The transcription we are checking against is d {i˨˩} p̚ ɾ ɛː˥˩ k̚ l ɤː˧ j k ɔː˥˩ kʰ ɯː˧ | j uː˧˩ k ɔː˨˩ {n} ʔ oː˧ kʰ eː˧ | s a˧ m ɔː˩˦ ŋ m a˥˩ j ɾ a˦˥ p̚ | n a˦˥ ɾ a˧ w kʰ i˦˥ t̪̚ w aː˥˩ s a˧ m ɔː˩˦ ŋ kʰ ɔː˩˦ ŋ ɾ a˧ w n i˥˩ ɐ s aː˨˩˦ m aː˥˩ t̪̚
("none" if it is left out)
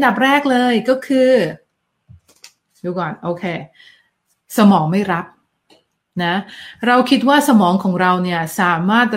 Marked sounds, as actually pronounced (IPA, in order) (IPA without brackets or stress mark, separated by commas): a˨˩, n